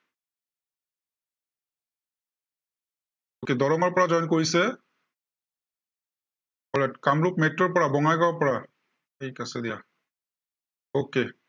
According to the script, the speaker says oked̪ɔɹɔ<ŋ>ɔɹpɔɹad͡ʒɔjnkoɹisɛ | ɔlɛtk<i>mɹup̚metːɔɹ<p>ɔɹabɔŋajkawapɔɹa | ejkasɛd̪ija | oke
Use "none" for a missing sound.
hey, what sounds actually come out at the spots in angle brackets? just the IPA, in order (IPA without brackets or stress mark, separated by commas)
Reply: ŋ, a, p